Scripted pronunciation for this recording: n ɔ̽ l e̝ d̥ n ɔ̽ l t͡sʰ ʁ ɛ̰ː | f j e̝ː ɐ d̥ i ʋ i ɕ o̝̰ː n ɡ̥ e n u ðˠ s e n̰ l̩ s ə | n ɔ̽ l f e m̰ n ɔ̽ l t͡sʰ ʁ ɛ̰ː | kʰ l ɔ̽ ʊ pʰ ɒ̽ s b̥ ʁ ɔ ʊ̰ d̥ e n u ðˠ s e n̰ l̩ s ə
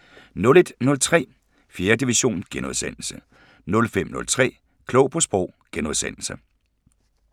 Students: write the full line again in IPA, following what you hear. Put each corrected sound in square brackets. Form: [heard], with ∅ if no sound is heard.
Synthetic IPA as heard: n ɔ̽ l e̝ d̥ n ɔ̽ l t͡sʰ ʁ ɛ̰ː | f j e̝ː ɐ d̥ i ʋ i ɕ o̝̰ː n ɡ̥ e n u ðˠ s e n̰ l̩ s ə | n ɔ̽ l f e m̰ n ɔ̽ l t͡sʰ ʁ ɛ̰ː | kʰ l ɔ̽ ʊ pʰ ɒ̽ s b̥ ʁ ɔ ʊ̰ [ɡ̥] e n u ðˠ s e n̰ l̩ s ə